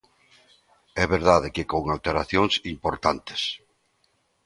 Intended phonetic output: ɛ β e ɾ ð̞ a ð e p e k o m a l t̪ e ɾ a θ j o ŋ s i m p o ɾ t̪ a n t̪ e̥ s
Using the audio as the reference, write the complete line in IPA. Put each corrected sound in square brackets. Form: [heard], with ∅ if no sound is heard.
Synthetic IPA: ɛ β e ɾ ð̞ a ð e [k] e k o [ŋ] a l t̪ e ɾ a θ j o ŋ s i m p o ɾ t̪ a n t̪ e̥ s

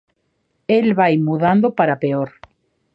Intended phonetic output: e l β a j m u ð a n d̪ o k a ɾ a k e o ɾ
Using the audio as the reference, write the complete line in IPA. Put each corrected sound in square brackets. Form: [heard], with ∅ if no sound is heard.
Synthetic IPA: e l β a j m u ð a n d̪ o [p] a ɾ a [p] e o ɾ

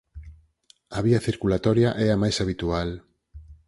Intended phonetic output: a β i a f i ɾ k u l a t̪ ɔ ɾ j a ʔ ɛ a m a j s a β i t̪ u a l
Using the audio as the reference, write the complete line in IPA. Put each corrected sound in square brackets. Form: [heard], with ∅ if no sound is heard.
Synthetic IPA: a β i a [θ] i ɾ k u l a t̪ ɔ ɾ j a ʔ ɛ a m a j s a β i t̪ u a l

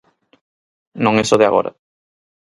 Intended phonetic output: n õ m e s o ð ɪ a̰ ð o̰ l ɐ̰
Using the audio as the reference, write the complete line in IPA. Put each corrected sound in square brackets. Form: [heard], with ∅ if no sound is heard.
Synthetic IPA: n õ [ŋ] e s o ð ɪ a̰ [ɣ] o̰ [ɾ] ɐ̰

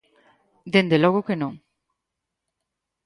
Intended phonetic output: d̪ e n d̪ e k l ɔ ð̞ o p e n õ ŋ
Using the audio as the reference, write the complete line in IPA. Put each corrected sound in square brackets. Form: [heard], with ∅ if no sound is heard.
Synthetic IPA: d̪ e n d̪ e [∅] l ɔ [ɣ̞] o [k] e n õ ŋ

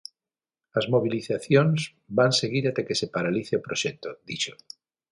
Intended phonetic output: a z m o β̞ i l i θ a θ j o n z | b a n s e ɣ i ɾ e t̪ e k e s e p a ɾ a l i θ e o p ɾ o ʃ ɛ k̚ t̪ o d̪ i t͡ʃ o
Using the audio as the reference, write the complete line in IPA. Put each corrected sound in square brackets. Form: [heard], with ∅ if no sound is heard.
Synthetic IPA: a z m o β̞ i l i θ a θ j o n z | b a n s e ɣ i ɾ [a] t̪ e k e s e p a ɾ a l i θ e o p ɾ o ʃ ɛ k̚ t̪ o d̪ i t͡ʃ o

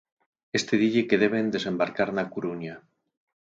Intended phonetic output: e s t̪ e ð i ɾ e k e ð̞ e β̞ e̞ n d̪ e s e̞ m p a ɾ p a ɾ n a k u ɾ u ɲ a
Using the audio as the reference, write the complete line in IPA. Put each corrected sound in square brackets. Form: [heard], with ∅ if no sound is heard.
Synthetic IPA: e s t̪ e ð i [ʎ] e k e ð̞ e β̞ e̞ n d̪ e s e̞ m [b] a ɾ [k] a ɾ n a k u ɾ u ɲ a

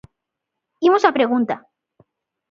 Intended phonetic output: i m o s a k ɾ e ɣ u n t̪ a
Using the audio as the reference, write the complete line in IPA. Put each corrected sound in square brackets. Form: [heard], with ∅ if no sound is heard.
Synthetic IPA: i m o s a [p] ɾ e ɣ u n t̪ a

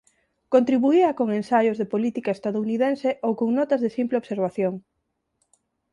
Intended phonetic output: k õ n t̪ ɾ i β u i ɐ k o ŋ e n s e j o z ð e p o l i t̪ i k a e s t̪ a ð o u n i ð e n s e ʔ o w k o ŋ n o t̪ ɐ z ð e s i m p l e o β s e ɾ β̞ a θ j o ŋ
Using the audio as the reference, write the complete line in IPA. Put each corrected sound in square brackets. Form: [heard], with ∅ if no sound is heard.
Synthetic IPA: k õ n t̪ ɾ i β u i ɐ k o ŋ e n s [a] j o z ð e p o l i t̪ i k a e s t̪ a ð o u n i ð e n s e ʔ o w k o ŋ n [ɔ] t̪ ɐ z ð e s i m p l e o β s e ɾ β̞ a θ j o ŋ

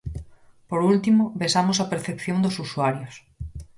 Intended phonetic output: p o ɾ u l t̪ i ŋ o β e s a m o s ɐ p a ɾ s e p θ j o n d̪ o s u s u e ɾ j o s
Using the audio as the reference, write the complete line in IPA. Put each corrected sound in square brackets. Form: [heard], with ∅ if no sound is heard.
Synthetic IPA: p o ɾ u l t̪ i [m] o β e s a m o s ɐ p [e] ɾ [θ] e p θ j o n d̪ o s u s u [a] ɾ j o s

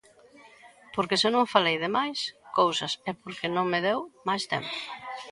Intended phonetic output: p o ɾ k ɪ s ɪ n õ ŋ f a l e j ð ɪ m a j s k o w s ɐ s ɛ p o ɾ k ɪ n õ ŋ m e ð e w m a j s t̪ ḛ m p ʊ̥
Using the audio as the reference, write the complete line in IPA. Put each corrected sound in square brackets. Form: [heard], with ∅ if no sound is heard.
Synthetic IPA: p o ɾ k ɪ s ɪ n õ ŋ f a l e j ð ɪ m a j s k o w s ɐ s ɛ p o ɾ k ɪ n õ ŋ m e ð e w m a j s t̪ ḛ m p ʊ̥

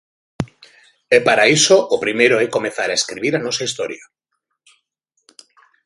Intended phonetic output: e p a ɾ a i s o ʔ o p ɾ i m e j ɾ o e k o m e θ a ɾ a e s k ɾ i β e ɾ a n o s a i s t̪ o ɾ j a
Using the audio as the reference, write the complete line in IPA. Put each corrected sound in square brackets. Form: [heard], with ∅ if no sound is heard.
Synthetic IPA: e p a ɾ a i s o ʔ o p ɾ i m e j ɾ o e k o m e θ a ɾ a e s k ɾ i β [i] ɾ a n o s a i s t̪ o ɾ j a

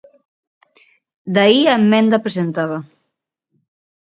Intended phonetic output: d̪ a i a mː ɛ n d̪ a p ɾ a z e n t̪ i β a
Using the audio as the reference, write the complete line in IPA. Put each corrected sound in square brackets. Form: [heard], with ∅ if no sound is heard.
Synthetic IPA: d̪ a i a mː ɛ n d̪ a p ɾ [e] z e n t̪ [a] β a

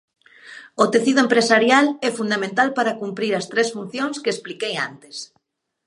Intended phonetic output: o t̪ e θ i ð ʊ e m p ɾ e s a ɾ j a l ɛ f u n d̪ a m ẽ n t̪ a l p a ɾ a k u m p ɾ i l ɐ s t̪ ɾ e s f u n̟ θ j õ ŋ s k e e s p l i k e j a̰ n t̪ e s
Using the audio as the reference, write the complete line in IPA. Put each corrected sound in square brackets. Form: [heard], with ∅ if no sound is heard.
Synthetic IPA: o t̪ e θ i ð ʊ e m p ɾ e s a ɾ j a l ɛ f u n d̪ a m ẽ n t̪ a l p a ɾ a k u m p ɾ i [ɾ] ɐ s t̪ ɾ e s f u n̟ θ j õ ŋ s k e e s p l i k e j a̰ n t̪ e s

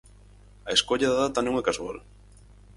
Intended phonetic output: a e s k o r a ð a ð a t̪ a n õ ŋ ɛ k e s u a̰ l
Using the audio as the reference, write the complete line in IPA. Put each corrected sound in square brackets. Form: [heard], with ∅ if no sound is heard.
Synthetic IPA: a e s k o [ʎ] a ð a ð a t̪ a n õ ŋ ɛ k [a] s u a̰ l

